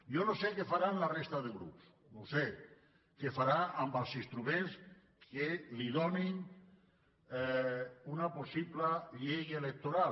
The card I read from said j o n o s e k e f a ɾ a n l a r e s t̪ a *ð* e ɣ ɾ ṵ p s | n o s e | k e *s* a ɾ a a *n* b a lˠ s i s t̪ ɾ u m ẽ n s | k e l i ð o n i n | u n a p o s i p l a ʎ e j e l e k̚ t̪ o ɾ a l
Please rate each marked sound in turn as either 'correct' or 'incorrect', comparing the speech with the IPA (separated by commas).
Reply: correct, incorrect, incorrect